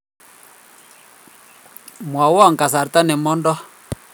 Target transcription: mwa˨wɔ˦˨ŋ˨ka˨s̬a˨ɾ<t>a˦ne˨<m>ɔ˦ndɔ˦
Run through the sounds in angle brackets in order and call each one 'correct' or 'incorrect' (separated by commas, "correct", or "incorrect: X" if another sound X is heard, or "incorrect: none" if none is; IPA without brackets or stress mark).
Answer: correct, correct